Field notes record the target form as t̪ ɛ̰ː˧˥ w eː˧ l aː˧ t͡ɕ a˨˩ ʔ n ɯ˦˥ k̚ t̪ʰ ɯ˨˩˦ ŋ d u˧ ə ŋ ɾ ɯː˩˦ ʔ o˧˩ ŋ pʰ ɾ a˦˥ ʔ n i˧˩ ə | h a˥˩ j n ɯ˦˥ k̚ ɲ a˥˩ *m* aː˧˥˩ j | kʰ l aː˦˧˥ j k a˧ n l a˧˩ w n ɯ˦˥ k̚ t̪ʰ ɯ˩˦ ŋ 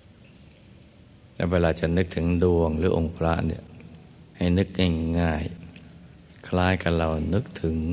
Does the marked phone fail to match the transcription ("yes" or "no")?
yes